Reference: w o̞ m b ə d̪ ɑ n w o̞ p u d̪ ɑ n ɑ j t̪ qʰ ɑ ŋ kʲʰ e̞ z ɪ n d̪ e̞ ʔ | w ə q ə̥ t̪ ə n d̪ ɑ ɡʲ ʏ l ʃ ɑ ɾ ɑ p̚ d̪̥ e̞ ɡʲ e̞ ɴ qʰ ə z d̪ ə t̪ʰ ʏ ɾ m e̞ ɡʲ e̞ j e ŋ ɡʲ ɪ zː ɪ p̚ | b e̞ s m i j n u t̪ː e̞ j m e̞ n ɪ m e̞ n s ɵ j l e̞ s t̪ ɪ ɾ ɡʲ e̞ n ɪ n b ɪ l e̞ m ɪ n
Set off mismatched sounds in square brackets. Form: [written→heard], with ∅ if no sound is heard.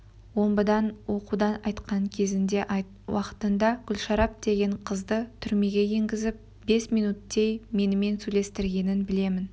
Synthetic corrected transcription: w o̞ m b ə d̪ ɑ n w o̞ [p→q] u d̪ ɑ n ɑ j t̪ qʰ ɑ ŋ kʲʰ e̞ z ɪ n d̪ e̞ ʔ | w [ə→ɑ] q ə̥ t̪ ə n d̪ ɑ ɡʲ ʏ l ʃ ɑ ɾ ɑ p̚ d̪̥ e̞ ɡʲ e̞ ɴ qʰ ə z d̪ ə t̪ʰ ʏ ɾ m e̞ ɡʲ e̞ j e ŋ ɡʲ ɪ [zː→z] ɪ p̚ | b e̞ s m i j n u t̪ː e̞ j m e̞ n ɪ m e̞ n s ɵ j l e̞ s t̪ ɪ ɾ ɡʲ e̞ n ɪ n b ɪ l e̞ m ɪ n